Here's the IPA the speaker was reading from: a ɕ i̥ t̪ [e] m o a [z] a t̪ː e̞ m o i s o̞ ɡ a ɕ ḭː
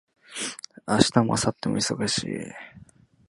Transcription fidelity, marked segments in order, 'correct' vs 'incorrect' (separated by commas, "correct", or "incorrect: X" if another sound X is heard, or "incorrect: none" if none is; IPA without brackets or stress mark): incorrect: a, incorrect: s